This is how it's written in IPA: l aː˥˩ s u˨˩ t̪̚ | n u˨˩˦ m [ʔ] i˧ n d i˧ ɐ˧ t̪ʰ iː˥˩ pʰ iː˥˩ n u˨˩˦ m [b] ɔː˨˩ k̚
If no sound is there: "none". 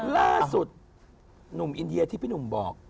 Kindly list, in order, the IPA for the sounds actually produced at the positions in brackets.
ʔ, b

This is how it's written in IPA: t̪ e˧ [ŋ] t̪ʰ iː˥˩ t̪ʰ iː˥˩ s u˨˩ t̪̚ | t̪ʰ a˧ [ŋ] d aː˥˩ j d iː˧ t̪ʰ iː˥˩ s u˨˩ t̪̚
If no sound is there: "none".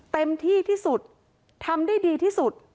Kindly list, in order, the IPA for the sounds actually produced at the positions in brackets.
m, m

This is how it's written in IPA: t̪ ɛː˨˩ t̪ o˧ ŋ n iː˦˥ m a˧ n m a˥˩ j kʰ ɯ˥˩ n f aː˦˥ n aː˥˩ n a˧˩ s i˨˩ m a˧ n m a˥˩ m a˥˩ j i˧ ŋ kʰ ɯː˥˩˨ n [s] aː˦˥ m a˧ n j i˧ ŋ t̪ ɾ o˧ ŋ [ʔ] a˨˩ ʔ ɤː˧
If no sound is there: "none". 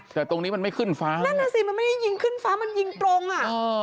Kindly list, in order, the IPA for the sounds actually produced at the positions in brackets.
f, ʔ

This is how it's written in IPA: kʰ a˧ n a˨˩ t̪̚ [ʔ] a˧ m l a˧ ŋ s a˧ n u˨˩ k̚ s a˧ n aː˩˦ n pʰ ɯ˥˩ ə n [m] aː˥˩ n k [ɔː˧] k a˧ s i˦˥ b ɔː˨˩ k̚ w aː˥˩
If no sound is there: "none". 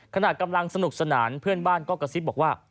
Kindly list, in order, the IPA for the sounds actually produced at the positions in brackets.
k, b, ɔː˥˩

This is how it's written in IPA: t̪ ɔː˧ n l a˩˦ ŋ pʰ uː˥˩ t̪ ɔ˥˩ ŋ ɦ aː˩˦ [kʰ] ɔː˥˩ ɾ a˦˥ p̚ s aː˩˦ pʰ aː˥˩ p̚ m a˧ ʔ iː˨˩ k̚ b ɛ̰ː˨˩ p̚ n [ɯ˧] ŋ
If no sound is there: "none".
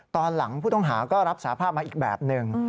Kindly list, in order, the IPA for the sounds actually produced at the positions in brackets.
k, ɯ˧

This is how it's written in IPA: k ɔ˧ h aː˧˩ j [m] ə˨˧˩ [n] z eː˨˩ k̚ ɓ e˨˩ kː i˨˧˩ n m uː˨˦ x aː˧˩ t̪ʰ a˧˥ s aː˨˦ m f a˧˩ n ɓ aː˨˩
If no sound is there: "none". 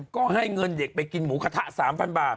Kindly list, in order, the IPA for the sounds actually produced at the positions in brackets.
ŋ, n

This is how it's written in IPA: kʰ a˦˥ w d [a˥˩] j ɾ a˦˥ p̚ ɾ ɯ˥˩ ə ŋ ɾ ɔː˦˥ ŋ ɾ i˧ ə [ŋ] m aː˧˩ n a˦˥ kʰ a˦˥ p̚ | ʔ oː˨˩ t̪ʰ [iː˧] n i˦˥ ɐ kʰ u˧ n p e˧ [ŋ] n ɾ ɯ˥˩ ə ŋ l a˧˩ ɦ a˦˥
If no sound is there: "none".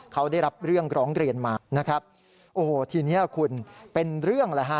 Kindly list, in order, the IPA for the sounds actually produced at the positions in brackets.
a˥˩, n, iː˧, none

